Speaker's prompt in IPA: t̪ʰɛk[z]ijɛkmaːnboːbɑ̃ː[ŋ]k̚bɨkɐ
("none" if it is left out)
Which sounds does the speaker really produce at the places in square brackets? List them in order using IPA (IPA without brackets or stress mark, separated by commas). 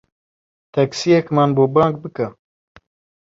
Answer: s, ŋ